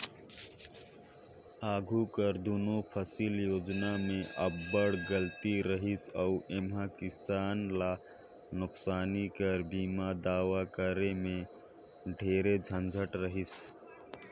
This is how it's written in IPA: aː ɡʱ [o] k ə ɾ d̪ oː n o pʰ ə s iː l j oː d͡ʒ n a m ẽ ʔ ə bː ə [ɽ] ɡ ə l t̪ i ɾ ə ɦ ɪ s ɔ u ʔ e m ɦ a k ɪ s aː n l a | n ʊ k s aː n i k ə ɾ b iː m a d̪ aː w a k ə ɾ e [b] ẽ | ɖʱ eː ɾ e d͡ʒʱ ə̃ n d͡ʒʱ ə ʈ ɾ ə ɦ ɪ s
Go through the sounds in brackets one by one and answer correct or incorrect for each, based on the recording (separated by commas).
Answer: incorrect, correct, incorrect